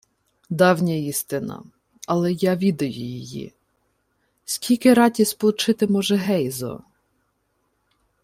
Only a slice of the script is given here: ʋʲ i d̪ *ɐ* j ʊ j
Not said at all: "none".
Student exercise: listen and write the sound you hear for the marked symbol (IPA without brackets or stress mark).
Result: ɐ